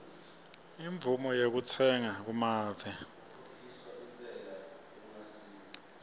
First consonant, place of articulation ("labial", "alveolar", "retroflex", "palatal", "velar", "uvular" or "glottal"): labial